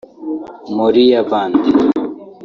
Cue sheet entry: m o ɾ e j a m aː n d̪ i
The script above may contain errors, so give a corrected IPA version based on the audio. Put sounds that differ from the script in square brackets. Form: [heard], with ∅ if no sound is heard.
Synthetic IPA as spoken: m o ɾ [i] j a [b] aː n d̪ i